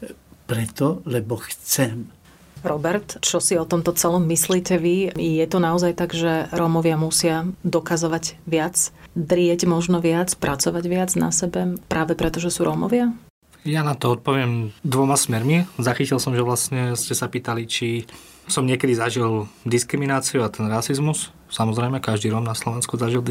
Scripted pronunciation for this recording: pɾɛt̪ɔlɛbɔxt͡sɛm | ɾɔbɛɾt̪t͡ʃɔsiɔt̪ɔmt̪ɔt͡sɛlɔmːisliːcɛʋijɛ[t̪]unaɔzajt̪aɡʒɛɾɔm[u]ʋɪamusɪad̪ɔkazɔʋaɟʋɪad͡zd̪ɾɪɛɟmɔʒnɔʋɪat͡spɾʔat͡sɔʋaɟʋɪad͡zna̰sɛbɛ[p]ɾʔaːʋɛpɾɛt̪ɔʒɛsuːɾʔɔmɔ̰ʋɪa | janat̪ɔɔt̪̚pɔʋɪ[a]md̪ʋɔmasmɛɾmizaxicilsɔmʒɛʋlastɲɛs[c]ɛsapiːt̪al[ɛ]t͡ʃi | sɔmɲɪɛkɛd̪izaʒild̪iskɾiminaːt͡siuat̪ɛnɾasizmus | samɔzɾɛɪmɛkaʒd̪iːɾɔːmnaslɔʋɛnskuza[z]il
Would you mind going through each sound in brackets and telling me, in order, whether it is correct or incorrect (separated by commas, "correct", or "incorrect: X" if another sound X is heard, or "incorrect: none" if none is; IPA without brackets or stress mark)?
correct, incorrect: ɔ, correct, incorrect: ɛ, correct, incorrect: i, incorrect: ʒ